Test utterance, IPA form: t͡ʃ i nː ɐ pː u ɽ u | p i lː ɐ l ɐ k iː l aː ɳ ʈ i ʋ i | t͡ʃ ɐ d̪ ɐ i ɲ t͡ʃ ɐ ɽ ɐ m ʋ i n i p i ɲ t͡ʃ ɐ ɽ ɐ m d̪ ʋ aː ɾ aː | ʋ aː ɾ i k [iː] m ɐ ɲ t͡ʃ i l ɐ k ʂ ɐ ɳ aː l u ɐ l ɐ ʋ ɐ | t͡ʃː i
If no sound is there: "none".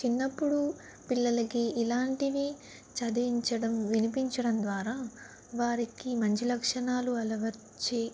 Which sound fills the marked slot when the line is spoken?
i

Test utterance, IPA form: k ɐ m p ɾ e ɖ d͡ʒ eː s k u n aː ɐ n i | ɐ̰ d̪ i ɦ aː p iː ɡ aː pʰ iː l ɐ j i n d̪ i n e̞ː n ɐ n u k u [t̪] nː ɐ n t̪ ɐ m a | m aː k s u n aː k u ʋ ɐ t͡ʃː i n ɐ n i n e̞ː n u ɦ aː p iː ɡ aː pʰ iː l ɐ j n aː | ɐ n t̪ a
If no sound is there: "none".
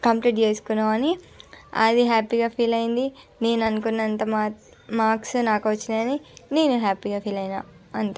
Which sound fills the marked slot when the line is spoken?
none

